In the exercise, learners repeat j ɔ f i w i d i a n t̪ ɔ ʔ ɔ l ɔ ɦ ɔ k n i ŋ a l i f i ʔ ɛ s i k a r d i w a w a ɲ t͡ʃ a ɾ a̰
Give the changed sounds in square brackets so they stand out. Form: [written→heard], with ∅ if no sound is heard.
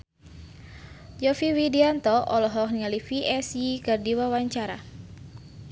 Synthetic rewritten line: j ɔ f i w i d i a n t̪ ɔ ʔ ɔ l ɔ ɦ ɔ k n i ŋ a l i f i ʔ ɛ s i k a r d i w a w a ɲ t͡ʃ a ɾ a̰